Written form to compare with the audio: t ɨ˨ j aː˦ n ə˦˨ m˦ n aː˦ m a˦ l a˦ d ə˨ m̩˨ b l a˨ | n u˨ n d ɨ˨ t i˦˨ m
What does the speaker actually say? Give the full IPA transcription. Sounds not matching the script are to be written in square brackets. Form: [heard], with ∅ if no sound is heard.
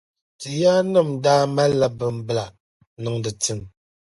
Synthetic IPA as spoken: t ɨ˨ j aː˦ n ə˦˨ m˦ [d] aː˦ m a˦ l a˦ [b] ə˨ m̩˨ b l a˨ | n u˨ [ŋ] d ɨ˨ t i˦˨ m